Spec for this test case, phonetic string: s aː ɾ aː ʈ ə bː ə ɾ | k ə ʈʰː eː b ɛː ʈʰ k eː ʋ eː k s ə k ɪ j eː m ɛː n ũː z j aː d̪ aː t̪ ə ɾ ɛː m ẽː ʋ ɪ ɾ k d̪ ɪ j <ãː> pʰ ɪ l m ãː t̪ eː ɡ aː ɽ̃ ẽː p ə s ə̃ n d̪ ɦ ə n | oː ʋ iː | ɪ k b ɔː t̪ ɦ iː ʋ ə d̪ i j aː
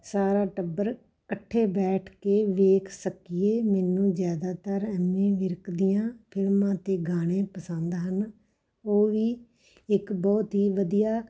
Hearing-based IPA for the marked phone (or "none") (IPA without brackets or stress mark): ãː